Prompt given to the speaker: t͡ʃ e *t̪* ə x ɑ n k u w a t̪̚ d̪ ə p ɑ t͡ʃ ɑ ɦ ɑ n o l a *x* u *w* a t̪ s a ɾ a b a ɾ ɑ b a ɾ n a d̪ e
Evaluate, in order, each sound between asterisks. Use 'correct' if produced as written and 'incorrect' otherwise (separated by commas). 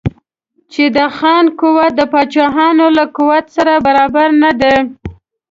incorrect, incorrect, correct